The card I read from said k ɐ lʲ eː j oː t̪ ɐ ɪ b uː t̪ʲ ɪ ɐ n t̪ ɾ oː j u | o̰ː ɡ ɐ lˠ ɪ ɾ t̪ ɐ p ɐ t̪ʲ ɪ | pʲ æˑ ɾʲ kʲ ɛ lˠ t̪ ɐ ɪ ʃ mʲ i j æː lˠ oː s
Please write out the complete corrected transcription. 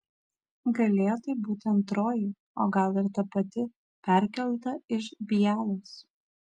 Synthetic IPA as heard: ɡ ɐ lʲ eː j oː t̪ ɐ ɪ b uː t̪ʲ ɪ ɐ n t̪ ɾ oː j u | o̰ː ɡ ɐ lˠ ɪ ɾ t̪ ɐ p ɐ t̪ʲ ɪ | pʲ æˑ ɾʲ kʲ ɛ lˠ t̪ ɐ ɪ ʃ bʲ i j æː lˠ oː s